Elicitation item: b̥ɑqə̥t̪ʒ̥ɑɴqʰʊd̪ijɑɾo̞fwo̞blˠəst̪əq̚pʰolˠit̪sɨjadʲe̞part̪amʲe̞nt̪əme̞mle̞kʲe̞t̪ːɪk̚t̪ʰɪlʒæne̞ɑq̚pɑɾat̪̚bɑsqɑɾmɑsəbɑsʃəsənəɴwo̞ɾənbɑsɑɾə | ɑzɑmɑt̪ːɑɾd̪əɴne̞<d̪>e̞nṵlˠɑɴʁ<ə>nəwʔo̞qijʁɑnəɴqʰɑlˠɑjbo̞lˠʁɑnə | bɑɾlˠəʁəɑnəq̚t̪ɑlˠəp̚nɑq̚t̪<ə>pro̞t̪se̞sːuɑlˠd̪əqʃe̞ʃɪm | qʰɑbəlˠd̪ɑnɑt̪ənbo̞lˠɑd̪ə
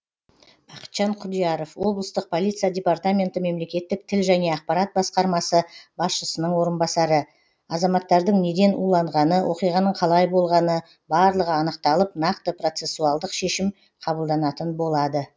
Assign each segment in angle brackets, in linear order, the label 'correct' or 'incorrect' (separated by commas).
correct, incorrect, correct